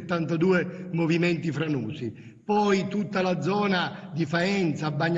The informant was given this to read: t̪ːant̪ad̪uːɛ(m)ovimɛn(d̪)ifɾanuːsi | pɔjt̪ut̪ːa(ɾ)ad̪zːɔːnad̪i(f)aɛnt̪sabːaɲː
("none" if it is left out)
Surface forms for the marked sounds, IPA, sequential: m, t̪, l, f

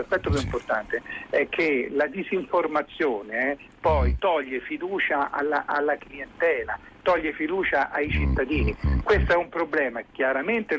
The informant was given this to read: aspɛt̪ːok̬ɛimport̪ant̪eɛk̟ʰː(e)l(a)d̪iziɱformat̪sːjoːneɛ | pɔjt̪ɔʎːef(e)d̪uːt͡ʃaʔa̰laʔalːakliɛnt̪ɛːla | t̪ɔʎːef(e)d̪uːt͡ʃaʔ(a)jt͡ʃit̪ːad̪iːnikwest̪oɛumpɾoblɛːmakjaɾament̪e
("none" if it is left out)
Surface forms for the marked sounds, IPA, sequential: e, a, i, i, a

